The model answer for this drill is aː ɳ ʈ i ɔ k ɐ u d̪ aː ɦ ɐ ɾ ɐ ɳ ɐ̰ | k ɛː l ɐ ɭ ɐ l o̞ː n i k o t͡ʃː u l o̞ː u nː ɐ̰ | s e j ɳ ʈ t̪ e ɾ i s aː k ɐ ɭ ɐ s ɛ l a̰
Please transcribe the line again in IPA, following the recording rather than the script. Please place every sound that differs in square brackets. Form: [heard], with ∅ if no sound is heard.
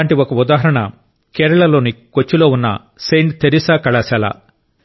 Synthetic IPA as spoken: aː ɳ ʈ i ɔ k ɐ u d̪ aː ɦ ɐ ɾ ɐ ɳ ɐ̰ | k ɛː [ɾ] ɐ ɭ ɐ l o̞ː n i k o t͡ʃː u l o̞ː u nː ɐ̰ | s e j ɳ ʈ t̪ e ɾ i s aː k ɐ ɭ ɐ s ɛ l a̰